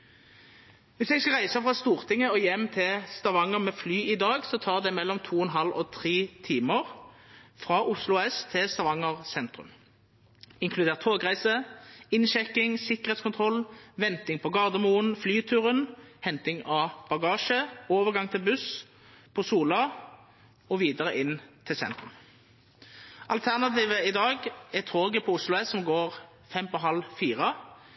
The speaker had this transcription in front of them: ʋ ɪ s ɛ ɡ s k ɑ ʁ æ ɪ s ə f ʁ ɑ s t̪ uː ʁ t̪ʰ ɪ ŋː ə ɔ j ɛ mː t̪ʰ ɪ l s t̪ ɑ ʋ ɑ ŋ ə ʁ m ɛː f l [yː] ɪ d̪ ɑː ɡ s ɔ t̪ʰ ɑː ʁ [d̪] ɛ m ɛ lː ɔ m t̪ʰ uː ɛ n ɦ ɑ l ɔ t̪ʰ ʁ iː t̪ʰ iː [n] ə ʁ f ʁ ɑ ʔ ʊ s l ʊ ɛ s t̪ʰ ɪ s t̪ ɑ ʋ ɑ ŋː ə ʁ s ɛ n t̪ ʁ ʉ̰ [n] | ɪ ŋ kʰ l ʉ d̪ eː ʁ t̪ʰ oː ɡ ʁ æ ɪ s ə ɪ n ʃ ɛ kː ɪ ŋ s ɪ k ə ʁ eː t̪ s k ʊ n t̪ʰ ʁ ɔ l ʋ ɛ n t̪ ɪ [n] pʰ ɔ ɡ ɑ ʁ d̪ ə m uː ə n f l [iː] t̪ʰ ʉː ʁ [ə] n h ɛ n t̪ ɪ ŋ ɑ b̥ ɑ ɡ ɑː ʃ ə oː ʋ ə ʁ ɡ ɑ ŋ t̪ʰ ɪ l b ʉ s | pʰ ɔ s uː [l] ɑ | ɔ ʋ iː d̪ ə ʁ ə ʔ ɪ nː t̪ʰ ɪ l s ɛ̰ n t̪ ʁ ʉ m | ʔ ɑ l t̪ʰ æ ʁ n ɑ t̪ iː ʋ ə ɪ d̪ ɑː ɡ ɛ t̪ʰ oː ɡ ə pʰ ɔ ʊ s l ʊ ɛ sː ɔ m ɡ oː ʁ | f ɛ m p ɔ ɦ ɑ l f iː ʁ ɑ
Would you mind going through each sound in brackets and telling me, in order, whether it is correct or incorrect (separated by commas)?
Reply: correct, correct, incorrect, incorrect, incorrect, incorrect, correct, correct